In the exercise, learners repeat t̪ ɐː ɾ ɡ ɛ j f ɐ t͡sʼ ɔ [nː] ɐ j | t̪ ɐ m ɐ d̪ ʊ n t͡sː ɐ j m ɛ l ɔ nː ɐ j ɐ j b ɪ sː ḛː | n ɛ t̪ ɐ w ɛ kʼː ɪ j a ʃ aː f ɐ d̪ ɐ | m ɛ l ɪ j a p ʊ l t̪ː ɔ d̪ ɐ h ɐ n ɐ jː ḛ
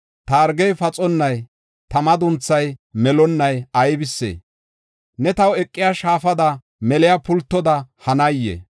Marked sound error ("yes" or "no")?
no